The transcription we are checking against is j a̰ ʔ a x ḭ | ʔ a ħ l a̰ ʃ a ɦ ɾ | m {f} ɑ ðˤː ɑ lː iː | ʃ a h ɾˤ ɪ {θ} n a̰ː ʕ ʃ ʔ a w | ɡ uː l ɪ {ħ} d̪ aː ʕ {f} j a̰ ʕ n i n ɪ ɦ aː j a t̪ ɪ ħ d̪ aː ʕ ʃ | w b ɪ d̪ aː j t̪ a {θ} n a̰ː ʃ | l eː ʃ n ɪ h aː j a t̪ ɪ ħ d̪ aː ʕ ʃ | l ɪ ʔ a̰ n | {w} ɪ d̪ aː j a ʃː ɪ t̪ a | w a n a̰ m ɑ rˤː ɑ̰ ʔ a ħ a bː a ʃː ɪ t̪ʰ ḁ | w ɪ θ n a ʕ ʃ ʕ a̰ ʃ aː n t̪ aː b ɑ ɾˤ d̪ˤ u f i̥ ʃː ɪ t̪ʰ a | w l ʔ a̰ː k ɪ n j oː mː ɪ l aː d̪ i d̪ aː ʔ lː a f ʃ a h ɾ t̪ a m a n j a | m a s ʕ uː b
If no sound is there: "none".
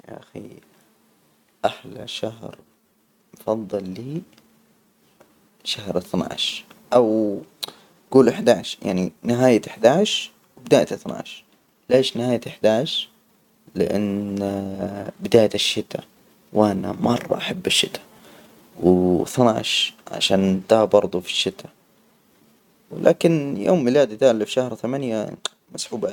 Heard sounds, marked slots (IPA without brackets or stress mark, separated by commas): f, θ, ħ, ʃ, θ, b